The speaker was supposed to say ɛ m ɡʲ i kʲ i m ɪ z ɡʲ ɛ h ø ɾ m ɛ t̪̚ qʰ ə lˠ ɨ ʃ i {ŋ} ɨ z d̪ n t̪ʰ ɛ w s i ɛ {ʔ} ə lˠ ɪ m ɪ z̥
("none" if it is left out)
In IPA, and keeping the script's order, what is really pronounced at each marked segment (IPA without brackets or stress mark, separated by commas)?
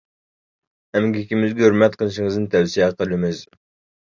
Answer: ŋ, q